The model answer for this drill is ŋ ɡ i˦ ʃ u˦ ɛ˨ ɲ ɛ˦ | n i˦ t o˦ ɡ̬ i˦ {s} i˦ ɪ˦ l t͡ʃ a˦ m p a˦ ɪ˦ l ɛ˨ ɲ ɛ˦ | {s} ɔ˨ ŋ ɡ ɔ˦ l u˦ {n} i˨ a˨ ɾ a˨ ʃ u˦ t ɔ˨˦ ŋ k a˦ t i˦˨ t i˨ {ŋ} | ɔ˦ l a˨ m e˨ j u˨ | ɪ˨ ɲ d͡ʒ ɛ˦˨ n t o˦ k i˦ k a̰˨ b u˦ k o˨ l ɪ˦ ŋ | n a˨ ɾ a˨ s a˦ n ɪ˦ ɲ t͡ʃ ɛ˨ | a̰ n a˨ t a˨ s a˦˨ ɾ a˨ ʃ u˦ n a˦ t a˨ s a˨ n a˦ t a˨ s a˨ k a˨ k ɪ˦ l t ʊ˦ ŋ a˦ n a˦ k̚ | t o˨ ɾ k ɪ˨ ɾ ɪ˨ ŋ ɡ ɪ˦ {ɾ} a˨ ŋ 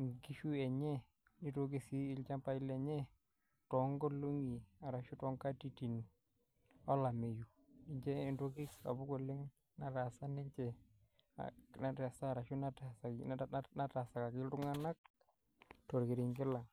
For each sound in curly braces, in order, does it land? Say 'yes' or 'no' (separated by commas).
yes, no, no, no, no